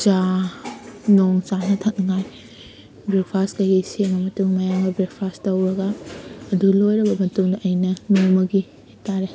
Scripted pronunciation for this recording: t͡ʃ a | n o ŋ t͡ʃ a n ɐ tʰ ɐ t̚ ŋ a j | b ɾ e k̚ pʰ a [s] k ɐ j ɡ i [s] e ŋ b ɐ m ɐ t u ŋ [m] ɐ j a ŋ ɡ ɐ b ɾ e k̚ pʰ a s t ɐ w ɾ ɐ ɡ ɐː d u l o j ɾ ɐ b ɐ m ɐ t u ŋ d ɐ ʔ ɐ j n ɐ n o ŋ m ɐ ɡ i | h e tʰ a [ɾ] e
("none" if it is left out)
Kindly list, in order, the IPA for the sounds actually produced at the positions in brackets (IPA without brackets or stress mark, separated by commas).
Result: s, s, m, ɾ